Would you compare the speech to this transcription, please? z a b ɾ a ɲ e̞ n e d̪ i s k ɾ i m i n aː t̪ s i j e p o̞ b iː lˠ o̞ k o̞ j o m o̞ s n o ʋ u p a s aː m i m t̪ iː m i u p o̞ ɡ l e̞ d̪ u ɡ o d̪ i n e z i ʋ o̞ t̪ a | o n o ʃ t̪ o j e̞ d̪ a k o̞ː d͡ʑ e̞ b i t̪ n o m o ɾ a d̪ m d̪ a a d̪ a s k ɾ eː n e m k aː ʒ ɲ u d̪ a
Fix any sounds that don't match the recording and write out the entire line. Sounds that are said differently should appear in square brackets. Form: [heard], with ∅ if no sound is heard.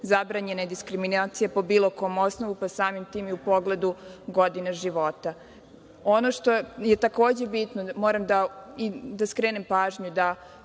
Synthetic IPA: z a b ɾ a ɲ e̞ n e d̪ i s k ɾ i m i n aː t̪ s i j e p o̞ b iː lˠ o̞ k o̞ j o m o̞ s n o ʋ u p a s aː m i m t̪ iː m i u p o̞ ɡ l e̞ d̪ u ɡ o d̪ i n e [ʒ] i ʋ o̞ t̪ a | o n o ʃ t̪ o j e̞ [t̪] a k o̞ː d͡ʑ e̞ b i t̪ n o m o ɾ a [∅] m d̪ a [i] d̪ a s k ɾ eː n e m [p] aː ʒ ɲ u d̪ a